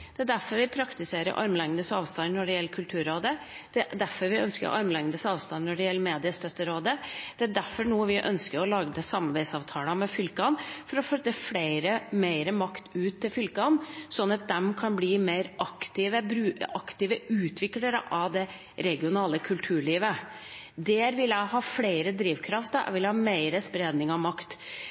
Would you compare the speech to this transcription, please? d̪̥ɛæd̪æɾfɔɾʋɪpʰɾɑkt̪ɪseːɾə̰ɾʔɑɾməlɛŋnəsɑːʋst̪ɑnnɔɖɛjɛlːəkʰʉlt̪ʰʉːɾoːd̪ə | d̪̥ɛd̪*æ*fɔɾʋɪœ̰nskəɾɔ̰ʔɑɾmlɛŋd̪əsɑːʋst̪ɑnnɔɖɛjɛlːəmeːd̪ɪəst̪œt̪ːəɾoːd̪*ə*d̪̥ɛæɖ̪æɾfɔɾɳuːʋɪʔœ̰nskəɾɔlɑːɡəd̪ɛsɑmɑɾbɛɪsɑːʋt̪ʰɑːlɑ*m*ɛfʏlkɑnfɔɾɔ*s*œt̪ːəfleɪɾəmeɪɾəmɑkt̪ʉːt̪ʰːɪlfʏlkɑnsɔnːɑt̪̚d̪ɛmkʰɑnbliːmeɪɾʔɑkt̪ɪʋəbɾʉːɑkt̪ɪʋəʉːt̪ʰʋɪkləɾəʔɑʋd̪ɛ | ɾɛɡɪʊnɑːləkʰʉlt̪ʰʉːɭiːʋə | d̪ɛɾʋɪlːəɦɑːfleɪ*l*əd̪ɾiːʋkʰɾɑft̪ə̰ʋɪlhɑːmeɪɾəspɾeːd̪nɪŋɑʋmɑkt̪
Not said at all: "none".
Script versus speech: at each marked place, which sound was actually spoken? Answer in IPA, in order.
æ, ə, m, f, ɾ

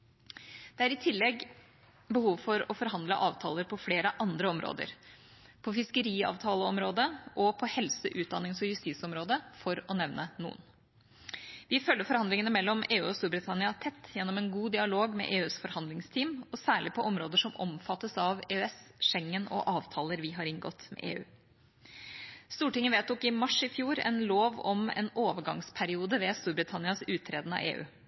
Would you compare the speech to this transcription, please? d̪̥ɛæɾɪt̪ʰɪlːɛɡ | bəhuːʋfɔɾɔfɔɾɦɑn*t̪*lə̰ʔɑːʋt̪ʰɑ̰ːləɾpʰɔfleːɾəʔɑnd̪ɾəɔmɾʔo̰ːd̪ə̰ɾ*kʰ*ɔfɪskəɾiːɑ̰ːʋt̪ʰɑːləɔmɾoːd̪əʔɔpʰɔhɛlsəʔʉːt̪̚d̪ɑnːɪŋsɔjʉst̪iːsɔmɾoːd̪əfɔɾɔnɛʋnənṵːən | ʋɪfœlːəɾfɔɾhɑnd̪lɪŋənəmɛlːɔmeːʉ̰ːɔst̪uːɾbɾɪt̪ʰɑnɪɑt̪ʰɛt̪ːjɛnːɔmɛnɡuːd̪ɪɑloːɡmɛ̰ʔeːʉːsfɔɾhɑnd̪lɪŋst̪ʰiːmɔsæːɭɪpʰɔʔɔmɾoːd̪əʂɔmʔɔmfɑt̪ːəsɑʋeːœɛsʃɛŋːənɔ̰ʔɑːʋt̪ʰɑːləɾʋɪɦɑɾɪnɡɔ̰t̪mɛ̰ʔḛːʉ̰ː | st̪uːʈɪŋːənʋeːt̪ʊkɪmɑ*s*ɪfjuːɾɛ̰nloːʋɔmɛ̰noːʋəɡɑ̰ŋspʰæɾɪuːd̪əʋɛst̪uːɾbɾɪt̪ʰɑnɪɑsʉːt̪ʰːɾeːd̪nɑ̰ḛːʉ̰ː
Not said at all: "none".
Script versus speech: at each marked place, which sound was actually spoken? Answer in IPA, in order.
d̪, pʰ, ʂ

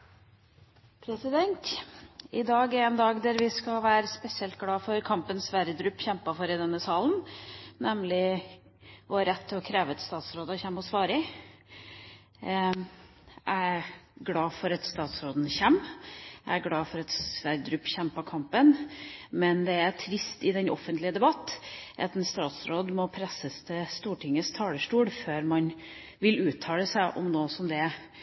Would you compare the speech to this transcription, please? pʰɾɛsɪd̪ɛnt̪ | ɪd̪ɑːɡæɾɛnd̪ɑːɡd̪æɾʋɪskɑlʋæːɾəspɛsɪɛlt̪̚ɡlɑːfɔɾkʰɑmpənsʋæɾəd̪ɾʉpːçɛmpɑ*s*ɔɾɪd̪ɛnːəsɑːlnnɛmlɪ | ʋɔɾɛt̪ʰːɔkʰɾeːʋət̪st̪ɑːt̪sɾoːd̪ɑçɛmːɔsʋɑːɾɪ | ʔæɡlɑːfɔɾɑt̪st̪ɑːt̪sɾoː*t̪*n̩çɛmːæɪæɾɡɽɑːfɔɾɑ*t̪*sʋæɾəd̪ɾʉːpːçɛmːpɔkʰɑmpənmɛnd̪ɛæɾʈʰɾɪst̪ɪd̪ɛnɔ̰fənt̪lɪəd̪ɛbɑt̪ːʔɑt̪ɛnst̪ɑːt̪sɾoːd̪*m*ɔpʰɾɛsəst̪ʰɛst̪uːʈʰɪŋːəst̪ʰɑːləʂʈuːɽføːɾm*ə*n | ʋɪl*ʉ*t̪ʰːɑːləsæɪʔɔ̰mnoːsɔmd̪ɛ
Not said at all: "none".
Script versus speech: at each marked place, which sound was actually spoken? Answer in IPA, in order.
f, d̪, t̪, m, ɑ, ʉː

